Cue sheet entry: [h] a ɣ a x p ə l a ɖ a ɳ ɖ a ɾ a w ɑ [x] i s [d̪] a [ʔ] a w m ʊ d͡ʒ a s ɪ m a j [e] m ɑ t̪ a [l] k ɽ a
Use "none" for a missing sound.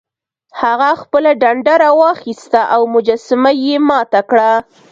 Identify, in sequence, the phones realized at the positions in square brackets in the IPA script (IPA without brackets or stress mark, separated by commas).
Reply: h, x, t̪, ʔ, e, none